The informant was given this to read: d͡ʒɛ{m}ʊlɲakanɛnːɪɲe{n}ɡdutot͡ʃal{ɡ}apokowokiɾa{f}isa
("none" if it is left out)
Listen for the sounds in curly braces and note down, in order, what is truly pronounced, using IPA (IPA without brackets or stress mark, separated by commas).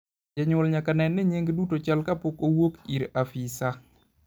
ɲ, ŋ, k, f